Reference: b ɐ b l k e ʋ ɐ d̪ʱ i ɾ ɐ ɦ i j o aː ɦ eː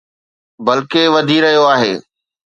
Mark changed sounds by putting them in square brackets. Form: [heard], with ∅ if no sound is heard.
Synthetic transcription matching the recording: b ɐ [∅] l k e ʋ ɐ d̪ʱ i ɾ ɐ ɦ i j o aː ɦ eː